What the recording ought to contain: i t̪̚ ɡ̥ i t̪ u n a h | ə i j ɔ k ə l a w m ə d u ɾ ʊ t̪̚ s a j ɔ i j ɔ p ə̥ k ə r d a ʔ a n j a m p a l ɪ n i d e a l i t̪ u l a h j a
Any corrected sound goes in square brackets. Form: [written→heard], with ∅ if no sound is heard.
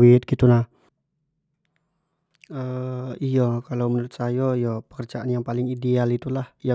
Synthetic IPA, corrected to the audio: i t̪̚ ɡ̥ i t̪ u n a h | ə i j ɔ k [ə→a] l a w m ə [d→n] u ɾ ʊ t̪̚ s a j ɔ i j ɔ p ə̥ k ə r [d→d͡ʒ] a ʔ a n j a [m→ŋ] p a l ɪ [n→ŋ] i d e a l i t̪ u l a h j a

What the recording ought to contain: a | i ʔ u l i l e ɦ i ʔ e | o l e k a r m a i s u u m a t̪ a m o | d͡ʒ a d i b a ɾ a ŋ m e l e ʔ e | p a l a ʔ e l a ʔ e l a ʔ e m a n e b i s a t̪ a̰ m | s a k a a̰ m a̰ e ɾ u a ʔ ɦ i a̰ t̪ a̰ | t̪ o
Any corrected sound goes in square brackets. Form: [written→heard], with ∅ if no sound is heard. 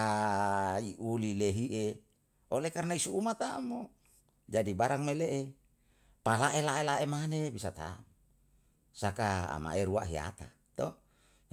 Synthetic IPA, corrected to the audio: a | i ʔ u l i l e ɦ i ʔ e | o l e k a r [m→n] a i s u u m a t̪ a m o | d͡ʒ a d i b a ɾ a ŋ m e l e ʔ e | p a l a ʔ e l a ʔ e l a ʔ e m a n e b i s a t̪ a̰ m | s a k a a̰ m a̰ e ɾ u a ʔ ɦ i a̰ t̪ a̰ | t̪ o

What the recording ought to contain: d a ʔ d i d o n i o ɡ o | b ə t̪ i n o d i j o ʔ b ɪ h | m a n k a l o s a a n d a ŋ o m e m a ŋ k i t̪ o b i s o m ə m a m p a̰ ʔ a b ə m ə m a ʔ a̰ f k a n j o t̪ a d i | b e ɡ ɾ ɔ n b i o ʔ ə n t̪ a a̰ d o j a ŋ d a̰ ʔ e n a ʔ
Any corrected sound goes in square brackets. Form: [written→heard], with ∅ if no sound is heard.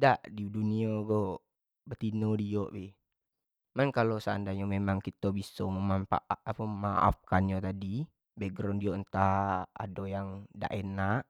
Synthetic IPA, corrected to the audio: d a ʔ d i d [o→u] n i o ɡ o | b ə t̪ i n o d i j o ʔ b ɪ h | m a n k a l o s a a n d a [ŋ→ɲ] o m e m a ŋ k i t̪ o b i s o m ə m a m p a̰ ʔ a [b→p] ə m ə m a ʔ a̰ f k a n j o t̪ a d i | b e ɡ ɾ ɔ n [b→d] i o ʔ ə n t̪ a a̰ d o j a ŋ d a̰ ʔ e n a ʔ

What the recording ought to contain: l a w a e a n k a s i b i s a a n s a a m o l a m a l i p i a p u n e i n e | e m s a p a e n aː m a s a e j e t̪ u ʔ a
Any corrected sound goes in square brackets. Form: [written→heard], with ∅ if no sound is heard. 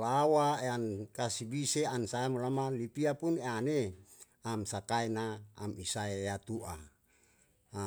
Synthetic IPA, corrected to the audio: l a w a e a n k a s i b i s [a→e] a n s a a m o l a m a l i p i a p u n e [i→a] n e | [e→a] m s a [p→k] a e n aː m [a→i] s a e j [e→a] t̪ u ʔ a

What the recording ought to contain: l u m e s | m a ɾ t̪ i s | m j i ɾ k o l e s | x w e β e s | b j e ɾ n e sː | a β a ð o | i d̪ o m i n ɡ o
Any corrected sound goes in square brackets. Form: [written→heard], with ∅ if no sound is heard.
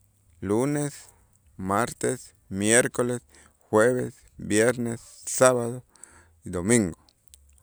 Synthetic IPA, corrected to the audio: l u [m→n] e s | m a ɾ t̪ [i→e] s | m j [i→e] ɾ k o l e s | x w e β e s | b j e ɾ n e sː | a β a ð o | i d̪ o m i [n→ŋ] ɡ o

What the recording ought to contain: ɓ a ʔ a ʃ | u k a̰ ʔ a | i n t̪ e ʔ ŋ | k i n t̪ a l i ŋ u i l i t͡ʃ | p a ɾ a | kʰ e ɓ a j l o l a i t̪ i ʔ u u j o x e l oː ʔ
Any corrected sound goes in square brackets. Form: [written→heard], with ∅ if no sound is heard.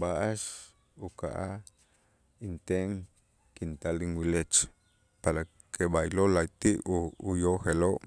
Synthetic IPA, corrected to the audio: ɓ a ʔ a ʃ | u k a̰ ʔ a | i n t̪ e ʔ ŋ | k i n t̪ a l i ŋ [u→w] i l [i→e] t͡ʃ | p a ɾ a | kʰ e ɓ a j l o l a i t̪ i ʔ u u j o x e l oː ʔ

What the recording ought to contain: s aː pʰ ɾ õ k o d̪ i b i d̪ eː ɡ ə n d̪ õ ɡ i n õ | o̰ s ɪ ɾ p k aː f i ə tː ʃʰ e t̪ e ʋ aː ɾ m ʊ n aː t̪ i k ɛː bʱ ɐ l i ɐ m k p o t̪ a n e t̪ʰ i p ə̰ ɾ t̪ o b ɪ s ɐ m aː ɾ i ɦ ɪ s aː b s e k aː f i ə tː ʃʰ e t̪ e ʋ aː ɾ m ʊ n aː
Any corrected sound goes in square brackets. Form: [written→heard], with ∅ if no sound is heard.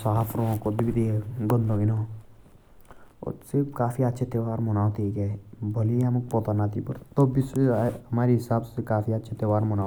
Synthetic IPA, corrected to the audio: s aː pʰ ɾ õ k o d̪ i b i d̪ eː ɡ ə n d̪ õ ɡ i n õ | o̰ s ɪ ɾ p k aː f i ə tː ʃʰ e t̪ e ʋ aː ɾ m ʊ n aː t̪ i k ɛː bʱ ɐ l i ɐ m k p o t̪ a n [e→a] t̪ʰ i p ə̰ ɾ t̪ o b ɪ s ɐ m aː ɾ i ɦ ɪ s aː b s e k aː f i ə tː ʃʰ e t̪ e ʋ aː ɾ m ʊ n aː

